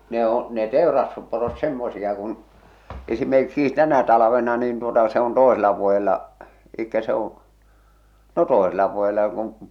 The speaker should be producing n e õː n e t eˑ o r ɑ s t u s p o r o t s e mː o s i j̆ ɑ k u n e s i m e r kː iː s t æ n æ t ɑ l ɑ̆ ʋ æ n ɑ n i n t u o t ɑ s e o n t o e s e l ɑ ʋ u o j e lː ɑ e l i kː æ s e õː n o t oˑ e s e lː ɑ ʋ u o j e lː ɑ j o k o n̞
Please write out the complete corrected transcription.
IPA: n e õː n e t eˑ o r ɑ s t u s p o r o t s e mː o s i j̆ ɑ k u n e s i m e r kː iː s t æ n æ t ɑ l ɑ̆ ʋ e n ɑ n i n t u o t ɑ s e o n t o e s e l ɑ ʋ u o j e lː ɑ e l i kː æ s e õː n o t oˑ e s e lː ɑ ʋ u o j e lː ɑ j o k o n̞